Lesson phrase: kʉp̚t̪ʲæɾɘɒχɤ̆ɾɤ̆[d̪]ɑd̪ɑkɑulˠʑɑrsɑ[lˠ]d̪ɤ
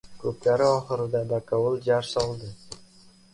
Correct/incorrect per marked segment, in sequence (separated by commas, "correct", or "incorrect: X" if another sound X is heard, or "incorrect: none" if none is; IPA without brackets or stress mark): correct, correct